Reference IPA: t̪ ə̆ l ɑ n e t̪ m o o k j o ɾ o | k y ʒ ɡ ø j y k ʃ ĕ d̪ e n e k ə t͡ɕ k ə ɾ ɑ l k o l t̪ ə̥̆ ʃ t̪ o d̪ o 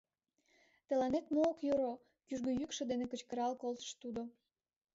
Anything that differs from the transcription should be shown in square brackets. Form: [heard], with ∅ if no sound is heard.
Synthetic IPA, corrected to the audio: t̪ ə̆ l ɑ n e t̪ m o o k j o ɾ o | k y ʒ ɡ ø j y k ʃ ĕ d̪ e n e k ə t͡ɕ k ə ɾ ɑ l k o l t̪ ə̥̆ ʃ t̪ [u] d̪ o